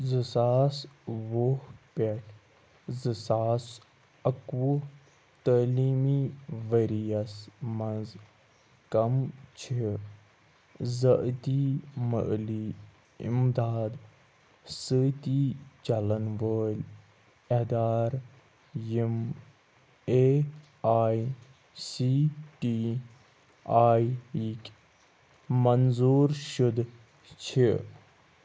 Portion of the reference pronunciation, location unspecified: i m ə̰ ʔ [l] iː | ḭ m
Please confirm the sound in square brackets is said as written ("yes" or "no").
yes